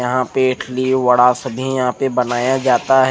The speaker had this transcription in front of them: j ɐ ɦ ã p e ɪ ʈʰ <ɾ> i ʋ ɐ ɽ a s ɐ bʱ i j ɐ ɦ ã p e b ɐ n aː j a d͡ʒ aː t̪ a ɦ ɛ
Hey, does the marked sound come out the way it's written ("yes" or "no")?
no